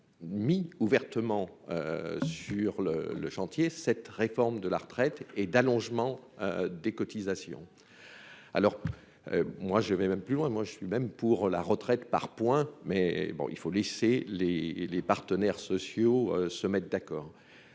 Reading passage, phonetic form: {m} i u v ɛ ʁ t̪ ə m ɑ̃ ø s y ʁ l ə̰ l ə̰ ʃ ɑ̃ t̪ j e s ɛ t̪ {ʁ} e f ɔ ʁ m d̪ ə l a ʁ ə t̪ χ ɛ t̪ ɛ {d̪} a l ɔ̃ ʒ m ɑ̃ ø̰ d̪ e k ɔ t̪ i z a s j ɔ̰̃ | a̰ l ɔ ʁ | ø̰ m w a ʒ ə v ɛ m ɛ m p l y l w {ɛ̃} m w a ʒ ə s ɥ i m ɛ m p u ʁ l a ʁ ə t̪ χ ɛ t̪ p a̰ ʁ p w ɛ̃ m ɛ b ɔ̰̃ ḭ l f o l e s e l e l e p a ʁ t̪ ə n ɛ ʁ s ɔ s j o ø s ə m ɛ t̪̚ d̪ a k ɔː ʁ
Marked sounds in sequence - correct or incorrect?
correct, correct, correct, correct

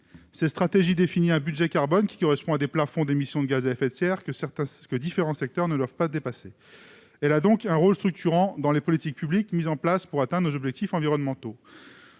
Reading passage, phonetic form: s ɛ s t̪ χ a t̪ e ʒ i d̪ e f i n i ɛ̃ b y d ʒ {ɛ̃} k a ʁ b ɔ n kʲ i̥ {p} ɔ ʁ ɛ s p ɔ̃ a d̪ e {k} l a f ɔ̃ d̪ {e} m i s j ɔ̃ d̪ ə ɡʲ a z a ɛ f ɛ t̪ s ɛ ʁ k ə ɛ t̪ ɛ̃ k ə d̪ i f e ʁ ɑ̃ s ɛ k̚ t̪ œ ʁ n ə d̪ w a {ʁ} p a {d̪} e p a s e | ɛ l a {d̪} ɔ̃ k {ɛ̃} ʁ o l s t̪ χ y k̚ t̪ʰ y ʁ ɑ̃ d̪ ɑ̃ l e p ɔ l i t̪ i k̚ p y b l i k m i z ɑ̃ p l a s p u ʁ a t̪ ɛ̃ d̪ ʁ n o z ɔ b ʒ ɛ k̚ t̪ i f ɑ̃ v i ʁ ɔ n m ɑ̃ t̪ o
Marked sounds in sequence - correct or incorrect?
incorrect: ɛ, incorrect: k, incorrect: p, correct, incorrect: v, correct, correct, correct

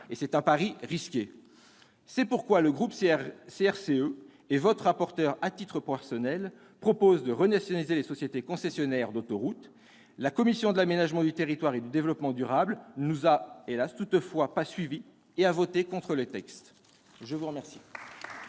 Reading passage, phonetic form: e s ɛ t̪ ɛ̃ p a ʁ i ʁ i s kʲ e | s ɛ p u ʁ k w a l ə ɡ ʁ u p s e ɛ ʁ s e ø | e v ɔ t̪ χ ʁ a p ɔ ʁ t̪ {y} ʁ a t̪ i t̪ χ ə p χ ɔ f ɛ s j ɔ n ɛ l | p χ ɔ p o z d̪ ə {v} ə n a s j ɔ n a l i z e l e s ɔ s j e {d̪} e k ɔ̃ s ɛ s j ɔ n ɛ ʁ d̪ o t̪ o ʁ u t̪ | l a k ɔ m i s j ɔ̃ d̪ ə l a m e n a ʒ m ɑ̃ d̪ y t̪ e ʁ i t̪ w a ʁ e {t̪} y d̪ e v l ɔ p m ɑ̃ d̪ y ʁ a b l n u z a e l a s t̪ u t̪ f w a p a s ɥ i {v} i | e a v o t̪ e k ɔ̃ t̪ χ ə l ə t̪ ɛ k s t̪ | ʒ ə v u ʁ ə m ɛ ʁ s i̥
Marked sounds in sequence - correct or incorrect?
incorrect: œ, incorrect: ʁ, incorrect: t̪, incorrect: d̪, correct

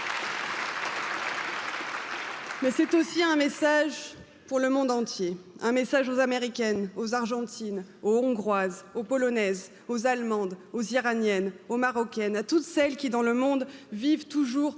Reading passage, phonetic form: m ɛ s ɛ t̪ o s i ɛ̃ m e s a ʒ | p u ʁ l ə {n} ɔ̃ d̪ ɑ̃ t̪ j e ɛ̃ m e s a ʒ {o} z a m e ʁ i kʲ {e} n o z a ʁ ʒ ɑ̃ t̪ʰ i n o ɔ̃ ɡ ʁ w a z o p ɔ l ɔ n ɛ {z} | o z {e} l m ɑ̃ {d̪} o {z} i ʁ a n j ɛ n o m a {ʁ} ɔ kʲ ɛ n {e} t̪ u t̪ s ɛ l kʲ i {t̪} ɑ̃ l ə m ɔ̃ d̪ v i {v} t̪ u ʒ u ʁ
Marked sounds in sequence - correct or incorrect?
incorrect: m, correct, incorrect: ɛ, correct, incorrect: a, correct, correct, correct, incorrect: a, incorrect: d̪, correct

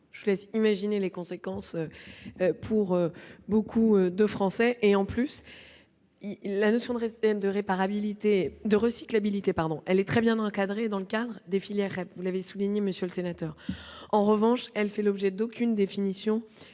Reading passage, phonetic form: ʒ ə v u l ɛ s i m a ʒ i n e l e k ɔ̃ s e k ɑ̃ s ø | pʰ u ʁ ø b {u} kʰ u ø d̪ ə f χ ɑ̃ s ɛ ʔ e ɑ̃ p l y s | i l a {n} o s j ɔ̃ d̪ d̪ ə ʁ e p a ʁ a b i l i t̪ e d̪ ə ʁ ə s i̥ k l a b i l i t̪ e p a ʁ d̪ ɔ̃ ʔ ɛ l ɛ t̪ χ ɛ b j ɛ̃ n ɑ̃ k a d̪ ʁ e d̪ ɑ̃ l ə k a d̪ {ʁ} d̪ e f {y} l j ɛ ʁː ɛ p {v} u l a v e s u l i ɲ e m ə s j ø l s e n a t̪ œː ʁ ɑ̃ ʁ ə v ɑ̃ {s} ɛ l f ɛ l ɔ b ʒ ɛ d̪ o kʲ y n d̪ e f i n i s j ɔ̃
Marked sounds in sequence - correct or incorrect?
incorrect: o, correct, correct, incorrect: i, correct, incorrect: ʃ

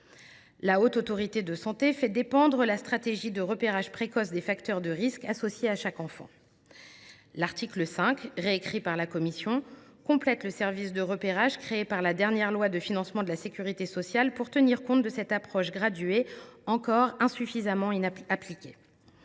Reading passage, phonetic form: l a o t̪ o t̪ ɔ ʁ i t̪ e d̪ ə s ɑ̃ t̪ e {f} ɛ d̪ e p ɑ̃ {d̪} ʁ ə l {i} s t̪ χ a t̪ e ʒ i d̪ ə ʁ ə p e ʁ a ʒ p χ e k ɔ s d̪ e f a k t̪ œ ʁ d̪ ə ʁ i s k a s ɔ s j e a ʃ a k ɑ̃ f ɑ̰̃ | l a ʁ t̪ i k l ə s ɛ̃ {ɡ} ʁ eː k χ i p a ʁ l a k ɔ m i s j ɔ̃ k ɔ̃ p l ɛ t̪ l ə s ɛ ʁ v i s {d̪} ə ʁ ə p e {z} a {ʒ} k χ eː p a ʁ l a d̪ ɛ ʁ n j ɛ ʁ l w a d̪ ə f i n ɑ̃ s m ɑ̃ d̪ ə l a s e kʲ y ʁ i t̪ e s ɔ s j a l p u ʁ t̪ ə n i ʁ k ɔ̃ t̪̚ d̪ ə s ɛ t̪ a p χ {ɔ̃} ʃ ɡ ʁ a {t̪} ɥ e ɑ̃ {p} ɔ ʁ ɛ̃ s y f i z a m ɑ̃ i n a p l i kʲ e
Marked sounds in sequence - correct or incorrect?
correct, correct, incorrect: a, incorrect: k, correct, incorrect: ʁ, correct, incorrect: ɔ, incorrect: d̪, incorrect: k

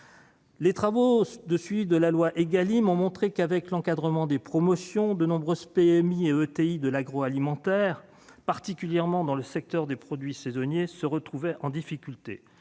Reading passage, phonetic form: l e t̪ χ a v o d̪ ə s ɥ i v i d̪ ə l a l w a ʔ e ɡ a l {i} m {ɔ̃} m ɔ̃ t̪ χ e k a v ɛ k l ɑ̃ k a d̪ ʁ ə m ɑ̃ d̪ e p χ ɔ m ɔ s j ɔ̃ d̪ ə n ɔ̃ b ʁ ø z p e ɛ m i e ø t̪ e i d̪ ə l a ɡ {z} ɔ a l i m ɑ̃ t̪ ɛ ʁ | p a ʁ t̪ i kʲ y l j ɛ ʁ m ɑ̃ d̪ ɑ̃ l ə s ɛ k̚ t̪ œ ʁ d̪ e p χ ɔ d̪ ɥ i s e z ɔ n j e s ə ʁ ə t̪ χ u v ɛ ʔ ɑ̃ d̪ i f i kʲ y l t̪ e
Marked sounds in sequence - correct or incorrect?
correct, correct, incorrect: ʁ

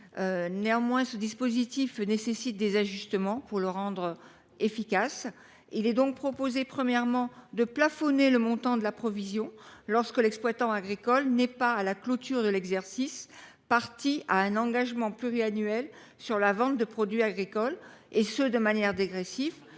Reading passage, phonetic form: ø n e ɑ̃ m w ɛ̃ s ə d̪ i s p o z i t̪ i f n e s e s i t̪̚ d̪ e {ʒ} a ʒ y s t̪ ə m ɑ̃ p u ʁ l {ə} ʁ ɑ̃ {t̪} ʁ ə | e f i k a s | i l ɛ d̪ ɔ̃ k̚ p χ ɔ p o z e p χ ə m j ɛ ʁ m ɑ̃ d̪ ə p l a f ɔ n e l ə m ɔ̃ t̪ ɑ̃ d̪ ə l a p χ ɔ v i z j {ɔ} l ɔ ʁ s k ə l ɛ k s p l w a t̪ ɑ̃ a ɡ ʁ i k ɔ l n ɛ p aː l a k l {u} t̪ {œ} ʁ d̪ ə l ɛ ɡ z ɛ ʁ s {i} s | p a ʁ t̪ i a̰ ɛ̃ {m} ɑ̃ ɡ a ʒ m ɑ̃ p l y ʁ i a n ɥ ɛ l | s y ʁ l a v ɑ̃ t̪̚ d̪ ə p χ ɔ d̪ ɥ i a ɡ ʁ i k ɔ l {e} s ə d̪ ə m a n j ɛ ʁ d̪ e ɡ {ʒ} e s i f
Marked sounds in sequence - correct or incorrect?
incorrect: z, correct, incorrect: d̪, incorrect: ɔ̃, incorrect: o, incorrect: y, correct, incorrect: n, correct, incorrect: ʁ

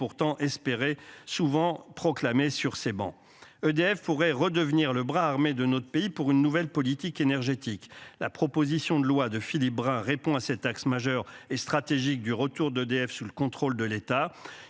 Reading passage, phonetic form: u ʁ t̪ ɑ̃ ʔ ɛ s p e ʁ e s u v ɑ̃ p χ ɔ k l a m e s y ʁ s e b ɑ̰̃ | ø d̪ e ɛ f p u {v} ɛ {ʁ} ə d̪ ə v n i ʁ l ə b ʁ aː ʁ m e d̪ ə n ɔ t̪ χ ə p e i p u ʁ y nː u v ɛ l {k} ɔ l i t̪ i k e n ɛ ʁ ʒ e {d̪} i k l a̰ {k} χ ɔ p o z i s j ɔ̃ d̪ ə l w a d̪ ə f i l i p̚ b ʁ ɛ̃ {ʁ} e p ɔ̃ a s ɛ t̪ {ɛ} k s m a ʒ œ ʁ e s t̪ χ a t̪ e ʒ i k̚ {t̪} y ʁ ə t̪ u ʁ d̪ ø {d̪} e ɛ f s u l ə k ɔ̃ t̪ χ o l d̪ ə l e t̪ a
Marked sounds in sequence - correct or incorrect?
incorrect: ʁ, correct, incorrect: p, incorrect: t̪, incorrect: p, correct, incorrect: a, incorrect: d̪, correct

